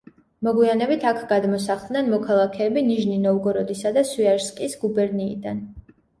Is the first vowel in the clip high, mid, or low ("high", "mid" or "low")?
mid